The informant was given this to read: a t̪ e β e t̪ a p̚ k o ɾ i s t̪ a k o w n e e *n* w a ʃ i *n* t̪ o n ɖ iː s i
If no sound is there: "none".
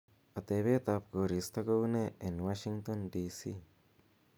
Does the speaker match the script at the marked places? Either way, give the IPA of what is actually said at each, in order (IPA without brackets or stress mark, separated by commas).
n, ŋ